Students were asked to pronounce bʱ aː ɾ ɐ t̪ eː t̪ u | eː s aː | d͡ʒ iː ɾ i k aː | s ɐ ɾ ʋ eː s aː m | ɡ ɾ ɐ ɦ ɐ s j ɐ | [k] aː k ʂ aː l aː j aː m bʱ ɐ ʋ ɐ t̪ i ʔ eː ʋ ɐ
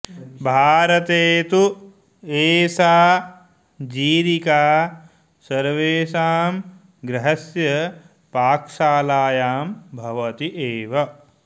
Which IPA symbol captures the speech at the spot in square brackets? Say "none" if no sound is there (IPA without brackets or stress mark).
p